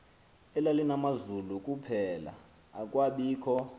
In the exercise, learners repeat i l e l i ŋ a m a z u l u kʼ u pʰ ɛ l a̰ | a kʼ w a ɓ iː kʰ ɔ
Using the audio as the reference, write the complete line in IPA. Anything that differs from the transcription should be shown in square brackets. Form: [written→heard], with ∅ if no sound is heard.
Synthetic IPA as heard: [i→ɛ] l [e→a] l i [ŋ→n] a m a z u l u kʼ u pʰ ɛ l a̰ | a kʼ w a ɓ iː kʰ ɔ